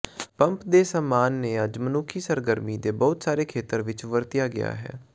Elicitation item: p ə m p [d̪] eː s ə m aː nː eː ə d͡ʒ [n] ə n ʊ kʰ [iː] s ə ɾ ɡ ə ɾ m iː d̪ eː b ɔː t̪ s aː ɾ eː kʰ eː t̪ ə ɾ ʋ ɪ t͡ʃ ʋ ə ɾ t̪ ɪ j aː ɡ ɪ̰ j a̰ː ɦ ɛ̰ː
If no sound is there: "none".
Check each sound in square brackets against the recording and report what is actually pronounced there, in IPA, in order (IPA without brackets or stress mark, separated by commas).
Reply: d̪, m, iː